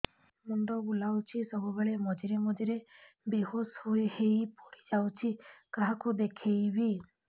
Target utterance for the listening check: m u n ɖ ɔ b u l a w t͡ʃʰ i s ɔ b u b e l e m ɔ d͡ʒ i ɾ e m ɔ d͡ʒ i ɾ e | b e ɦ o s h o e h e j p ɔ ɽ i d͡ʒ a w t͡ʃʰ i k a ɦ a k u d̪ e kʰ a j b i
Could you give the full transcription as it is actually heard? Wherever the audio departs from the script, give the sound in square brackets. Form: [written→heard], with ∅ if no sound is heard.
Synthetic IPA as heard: m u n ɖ ɔ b u l a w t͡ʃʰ i s ɔ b u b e [l→ɭ] e m ɔ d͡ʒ i ɾ e m ɔ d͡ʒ i ɾ e | b e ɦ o s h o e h e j p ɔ ɽ i d͡ʒ a w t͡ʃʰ i k a ɦ a k u d̪ e kʰ [a→e] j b i